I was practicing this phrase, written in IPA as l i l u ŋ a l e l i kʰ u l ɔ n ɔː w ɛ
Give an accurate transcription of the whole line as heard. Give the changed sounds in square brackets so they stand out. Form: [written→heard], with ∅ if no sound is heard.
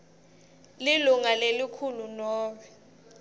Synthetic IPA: l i l u ŋ a l e l i kʰ u l [ɔ→u] n ɔː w ɛ